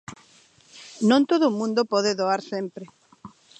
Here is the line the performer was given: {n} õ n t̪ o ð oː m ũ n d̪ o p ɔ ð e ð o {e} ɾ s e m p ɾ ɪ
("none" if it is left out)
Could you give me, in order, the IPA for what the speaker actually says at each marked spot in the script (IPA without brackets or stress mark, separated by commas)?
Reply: n, a